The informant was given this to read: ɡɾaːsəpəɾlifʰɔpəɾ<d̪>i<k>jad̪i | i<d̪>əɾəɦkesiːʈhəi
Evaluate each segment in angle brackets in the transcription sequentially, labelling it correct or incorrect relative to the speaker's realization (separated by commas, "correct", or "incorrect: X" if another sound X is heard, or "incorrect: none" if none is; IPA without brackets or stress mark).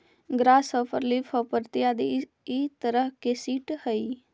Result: incorrect: t̪, incorrect: none, incorrect: t̪